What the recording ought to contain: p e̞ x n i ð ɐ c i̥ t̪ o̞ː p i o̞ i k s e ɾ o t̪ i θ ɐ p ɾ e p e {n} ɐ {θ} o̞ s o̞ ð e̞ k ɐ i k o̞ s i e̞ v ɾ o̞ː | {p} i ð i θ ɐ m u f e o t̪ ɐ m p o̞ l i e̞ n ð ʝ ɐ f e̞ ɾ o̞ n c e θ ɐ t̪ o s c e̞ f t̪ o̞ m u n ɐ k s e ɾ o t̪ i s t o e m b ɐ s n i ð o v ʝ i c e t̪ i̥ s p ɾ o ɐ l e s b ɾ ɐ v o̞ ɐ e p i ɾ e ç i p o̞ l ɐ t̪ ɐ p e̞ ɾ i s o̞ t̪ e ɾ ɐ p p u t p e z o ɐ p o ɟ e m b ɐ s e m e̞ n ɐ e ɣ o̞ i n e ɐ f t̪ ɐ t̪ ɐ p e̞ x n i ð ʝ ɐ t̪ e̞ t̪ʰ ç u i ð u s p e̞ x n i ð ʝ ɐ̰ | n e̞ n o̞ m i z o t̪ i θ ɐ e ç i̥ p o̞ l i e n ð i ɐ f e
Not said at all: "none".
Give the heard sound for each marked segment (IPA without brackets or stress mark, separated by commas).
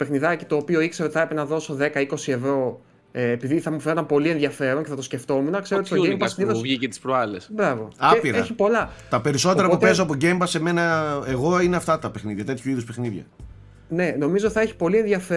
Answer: n, ð, p